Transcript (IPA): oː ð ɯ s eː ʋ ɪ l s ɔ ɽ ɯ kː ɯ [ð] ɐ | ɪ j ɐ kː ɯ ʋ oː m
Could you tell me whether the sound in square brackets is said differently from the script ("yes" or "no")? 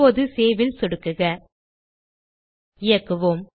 yes